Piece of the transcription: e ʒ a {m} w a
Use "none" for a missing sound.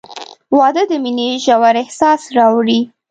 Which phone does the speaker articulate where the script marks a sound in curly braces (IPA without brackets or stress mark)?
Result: none